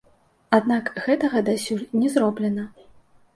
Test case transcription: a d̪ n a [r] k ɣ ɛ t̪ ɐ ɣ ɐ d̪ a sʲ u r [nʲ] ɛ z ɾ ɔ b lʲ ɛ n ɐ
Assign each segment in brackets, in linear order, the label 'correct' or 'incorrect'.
incorrect, correct

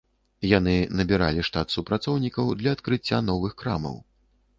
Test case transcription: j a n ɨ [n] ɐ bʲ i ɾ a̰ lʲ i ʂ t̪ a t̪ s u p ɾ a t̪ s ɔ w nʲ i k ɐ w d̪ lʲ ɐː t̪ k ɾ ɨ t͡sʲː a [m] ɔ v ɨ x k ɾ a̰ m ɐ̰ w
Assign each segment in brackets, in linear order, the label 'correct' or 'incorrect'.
correct, incorrect

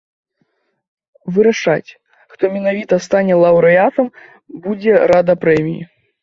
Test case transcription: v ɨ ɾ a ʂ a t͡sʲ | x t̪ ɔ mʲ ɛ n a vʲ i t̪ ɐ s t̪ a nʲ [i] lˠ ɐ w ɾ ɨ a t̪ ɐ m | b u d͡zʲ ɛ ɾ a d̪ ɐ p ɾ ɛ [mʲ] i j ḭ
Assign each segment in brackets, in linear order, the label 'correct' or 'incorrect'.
incorrect, correct

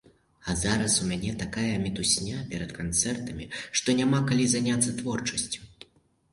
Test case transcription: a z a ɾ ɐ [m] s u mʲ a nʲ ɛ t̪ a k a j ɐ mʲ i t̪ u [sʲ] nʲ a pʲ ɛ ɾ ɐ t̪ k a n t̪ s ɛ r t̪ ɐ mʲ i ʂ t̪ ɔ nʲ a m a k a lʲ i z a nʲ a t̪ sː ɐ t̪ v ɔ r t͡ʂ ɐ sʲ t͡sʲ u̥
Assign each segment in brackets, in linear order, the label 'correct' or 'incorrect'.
incorrect, correct

